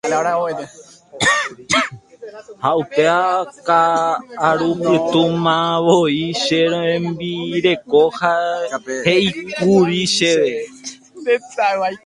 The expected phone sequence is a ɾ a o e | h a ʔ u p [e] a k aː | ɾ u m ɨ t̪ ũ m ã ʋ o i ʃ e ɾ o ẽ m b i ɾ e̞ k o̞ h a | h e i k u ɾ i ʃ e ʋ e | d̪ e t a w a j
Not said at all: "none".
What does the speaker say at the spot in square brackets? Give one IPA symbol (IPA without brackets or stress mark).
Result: e